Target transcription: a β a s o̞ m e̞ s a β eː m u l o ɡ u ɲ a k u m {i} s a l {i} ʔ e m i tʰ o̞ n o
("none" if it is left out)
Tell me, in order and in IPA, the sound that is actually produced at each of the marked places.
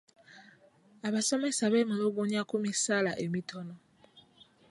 i, a

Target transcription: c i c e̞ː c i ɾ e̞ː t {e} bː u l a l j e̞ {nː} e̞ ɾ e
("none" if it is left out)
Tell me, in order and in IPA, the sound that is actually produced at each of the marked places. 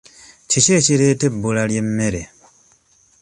e, mː

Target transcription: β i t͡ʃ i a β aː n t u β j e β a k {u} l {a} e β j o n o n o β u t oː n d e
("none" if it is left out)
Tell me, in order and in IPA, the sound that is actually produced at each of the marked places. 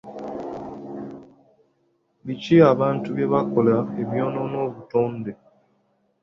o, a

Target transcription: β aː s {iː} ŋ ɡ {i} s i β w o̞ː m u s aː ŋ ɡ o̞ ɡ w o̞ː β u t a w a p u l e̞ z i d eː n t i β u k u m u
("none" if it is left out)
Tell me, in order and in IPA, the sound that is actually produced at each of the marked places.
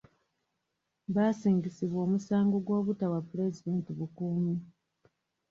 iː, i

